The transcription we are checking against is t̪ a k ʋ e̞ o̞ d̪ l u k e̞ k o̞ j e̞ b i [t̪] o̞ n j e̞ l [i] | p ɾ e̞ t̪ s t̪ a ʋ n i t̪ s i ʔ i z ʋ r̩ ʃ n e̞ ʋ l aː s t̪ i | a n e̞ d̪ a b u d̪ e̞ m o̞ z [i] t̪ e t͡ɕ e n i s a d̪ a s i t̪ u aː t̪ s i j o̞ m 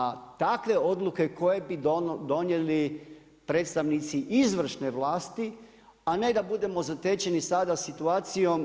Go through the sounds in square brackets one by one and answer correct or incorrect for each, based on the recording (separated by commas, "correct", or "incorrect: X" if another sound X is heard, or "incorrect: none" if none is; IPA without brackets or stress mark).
incorrect: d̪, correct, incorrect: a